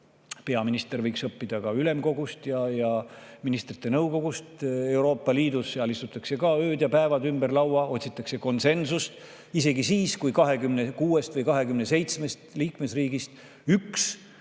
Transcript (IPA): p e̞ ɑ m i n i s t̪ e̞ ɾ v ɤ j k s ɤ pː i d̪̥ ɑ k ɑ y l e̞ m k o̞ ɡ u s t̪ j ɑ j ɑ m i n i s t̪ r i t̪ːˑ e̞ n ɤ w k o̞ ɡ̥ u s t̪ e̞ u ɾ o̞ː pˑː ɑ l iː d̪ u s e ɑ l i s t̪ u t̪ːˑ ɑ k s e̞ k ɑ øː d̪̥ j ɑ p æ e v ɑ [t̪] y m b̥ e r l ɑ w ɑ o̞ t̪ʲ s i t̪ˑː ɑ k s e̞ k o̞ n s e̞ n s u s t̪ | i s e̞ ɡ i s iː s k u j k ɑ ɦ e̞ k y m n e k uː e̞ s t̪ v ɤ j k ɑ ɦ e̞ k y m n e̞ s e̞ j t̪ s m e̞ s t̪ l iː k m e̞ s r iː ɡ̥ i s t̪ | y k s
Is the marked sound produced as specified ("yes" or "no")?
no